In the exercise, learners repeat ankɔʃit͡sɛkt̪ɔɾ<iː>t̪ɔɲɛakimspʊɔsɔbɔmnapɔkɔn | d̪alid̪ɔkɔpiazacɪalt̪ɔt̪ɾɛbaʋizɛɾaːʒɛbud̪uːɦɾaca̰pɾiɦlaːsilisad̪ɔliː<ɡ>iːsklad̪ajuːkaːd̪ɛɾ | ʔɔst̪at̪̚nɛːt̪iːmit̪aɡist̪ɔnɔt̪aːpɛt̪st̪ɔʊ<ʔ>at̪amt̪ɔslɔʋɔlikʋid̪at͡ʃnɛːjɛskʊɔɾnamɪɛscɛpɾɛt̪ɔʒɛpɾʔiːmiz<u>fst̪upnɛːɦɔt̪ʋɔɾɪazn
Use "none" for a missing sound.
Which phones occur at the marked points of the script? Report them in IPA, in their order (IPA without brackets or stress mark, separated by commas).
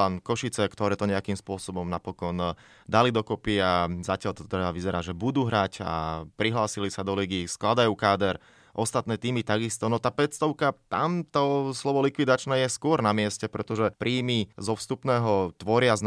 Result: ɛː, ɡ, k, ɔ